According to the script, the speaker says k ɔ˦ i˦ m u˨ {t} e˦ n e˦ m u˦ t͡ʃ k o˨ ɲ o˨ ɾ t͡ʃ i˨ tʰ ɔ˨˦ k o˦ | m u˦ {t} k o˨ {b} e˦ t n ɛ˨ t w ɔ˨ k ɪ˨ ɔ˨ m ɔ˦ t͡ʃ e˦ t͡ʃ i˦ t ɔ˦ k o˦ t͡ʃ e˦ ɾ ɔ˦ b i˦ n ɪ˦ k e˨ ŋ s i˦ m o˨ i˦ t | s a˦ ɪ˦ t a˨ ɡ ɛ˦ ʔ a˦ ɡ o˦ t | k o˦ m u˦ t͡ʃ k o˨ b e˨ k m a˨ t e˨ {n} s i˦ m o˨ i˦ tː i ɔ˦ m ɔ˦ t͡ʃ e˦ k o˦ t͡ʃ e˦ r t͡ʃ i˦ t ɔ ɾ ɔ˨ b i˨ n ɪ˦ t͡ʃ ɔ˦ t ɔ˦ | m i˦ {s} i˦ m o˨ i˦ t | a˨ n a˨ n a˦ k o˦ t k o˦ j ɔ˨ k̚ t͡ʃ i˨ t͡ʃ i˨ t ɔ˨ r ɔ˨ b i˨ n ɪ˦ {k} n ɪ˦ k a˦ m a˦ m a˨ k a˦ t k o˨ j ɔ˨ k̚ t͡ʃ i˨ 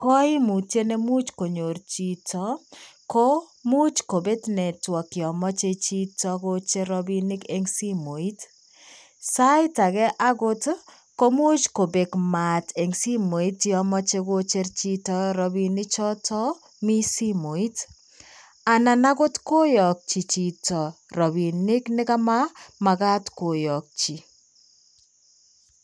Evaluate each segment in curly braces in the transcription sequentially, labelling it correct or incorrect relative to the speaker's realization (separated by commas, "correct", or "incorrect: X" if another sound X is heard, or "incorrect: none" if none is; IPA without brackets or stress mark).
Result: correct, incorrect: t͡ʃ, correct, incorrect: ŋ, correct, correct